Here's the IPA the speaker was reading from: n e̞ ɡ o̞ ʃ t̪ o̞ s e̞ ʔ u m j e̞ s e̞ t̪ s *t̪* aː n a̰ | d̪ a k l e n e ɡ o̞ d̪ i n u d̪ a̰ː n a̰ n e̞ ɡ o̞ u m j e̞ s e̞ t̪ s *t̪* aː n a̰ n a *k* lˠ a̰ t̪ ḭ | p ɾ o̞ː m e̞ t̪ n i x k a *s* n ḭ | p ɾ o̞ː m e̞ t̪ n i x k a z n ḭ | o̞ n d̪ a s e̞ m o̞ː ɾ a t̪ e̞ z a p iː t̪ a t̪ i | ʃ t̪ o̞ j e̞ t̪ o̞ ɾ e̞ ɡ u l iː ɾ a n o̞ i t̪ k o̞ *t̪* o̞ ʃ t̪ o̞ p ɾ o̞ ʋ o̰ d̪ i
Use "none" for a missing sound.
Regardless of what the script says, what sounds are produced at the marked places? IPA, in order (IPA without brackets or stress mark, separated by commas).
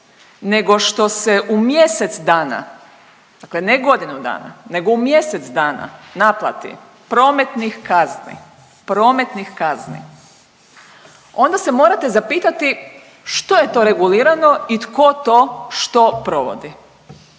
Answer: d̪, d̪, p, z, t̪